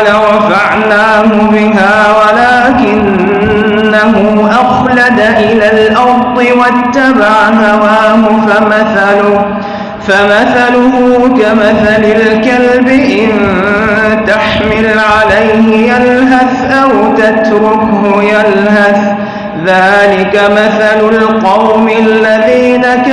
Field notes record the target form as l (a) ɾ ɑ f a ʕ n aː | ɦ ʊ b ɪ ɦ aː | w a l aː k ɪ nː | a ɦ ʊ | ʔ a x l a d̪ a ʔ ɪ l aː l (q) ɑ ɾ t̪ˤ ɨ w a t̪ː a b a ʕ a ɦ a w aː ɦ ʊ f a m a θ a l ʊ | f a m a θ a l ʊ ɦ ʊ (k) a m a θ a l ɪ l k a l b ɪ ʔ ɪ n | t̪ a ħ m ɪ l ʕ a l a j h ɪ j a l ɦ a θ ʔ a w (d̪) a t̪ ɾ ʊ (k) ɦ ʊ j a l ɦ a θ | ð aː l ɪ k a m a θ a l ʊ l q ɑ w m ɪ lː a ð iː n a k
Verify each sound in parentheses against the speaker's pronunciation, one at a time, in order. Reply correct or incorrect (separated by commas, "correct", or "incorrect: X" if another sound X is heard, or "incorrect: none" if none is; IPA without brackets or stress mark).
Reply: correct, incorrect: ʔ, correct, incorrect: t̪, correct